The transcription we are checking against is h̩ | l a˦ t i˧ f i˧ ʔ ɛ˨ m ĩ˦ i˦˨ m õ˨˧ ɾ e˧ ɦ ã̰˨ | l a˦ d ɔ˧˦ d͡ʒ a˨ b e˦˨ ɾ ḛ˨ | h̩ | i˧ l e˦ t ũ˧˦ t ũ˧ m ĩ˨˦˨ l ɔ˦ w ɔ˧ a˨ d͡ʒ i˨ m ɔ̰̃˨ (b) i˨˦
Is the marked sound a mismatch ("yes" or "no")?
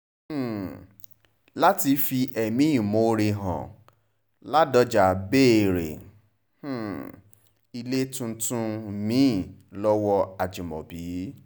no